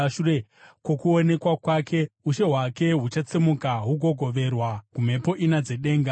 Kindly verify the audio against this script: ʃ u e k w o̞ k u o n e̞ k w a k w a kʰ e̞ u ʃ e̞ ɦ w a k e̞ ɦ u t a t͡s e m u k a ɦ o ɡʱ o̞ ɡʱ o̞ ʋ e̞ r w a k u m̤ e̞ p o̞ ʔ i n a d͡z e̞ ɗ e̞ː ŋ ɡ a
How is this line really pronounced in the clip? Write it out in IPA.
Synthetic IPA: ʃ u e k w o̞ k u o n e̞ k w a k w a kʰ e̞ u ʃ e̞ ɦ w a k e̞ ɦ u t͡ʃ a t͡s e m u k a ɦ u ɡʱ o̞ ɡʱ o̞ ʋ e̞ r w a k u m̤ e̞ p o̞ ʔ i n a d͡z e̞ ɗ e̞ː ŋ ɡ a